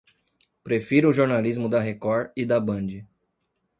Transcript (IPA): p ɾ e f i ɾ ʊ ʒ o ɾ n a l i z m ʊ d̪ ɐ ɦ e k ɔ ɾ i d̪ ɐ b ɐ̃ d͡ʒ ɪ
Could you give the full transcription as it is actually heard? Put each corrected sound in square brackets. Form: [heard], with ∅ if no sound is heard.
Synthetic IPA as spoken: p ɾ e f i ɾ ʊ ʒ o ɾ n a l i z m ʊ d̪ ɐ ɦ e k ɔ ɾ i d̪ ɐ b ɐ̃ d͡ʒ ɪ